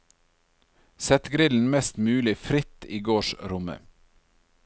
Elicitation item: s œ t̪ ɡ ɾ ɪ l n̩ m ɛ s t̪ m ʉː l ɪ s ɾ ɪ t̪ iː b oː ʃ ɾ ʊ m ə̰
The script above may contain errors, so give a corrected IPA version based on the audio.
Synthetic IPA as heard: s ɛ t̪ ɡ ɾ ɪ l n̩ m ɛ s t̪ m ʉː l ɪ f ɾ ɪ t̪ iː ɡ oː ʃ ɾ ʊ m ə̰